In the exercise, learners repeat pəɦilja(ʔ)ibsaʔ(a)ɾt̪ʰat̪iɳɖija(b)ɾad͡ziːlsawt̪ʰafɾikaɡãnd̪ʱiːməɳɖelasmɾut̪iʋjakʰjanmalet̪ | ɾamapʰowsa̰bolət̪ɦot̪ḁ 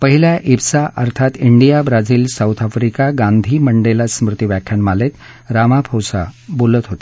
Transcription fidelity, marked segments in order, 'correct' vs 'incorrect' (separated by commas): correct, incorrect, correct